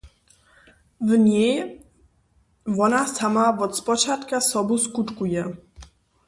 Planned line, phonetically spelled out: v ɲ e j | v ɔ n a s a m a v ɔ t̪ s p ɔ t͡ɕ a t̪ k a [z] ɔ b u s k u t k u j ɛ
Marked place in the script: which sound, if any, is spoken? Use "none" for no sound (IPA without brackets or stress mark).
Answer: s